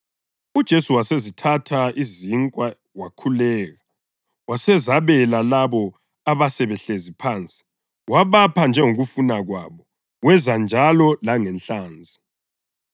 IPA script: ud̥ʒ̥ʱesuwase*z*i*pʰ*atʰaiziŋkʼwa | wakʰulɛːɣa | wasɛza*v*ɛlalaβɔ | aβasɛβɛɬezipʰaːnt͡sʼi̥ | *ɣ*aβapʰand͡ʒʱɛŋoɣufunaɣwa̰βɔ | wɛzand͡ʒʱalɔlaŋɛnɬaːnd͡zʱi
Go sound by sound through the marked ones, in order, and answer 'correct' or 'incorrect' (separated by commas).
correct, incorrect, incorrect, incorrect